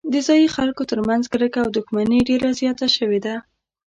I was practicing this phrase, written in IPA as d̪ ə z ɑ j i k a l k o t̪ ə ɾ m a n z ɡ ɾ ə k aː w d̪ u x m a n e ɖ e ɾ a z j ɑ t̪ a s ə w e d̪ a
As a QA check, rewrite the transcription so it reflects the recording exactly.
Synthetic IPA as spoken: d̪ ə z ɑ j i x a l k o t̪ ə ɾ m a n z ɡ ɾ ə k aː w d̪ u x m a n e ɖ e ɾ a z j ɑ t̪ a ʃ ə w e d̪ a